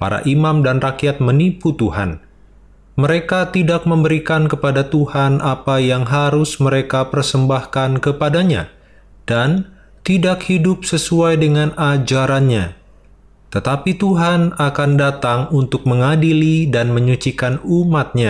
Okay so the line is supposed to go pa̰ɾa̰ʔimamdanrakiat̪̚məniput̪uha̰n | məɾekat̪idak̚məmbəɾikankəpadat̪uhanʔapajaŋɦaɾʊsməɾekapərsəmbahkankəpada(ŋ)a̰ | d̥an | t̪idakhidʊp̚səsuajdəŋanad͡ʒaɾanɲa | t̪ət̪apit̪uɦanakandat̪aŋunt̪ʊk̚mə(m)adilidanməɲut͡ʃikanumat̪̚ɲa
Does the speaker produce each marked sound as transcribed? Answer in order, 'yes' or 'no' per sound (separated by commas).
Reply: no, no